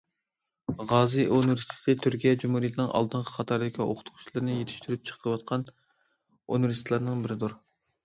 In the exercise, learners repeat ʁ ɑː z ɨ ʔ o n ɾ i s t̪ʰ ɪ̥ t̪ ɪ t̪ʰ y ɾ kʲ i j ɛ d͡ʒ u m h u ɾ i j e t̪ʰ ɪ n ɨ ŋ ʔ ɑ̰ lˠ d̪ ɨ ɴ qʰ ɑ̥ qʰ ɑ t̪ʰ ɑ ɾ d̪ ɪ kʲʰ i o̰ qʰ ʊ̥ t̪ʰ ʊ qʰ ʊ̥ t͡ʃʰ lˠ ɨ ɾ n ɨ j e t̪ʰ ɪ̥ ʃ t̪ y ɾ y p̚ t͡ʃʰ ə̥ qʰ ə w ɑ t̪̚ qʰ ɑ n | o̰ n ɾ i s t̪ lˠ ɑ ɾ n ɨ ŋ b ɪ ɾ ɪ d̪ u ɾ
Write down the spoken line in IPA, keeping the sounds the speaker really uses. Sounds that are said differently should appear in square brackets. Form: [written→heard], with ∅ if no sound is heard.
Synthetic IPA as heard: ʁ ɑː z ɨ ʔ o n ɾ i s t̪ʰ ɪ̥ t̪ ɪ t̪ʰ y ɾ kʲ i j ɛ d͡ʒ u m h u ɾ i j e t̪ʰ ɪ n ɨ ŋ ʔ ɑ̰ lˠ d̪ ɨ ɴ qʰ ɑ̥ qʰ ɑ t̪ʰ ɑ ɾ d̪ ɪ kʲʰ i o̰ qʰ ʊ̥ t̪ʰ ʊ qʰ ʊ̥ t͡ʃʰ lˠ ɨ ɾ n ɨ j e t̪ʰ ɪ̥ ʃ t̪ y ɾ y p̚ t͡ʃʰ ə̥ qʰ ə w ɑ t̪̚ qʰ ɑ n | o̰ n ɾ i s t̪ lˠ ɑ ɾ n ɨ ŋ b ɪ ɾ ɪ d̪ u ɾ